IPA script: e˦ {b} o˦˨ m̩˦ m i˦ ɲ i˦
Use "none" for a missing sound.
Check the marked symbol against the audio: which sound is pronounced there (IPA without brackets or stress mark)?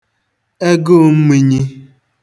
ɡ